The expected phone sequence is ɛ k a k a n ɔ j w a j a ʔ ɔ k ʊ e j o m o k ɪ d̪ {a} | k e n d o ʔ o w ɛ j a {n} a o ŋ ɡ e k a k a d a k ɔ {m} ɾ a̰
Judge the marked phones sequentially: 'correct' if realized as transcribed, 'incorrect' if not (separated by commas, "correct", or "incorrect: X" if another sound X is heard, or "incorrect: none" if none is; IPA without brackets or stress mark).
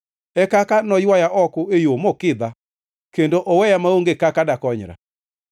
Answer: correct, incorrect: m, incorrect: ɲ